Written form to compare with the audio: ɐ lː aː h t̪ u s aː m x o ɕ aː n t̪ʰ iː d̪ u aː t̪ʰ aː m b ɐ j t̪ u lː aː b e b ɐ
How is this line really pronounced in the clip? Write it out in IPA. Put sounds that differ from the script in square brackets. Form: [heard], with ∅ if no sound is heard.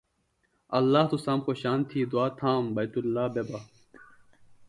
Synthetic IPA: ɐ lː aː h t̪ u s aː m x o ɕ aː n t̪ʰ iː d̪ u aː t̪ʰ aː m b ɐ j t̪ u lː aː b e b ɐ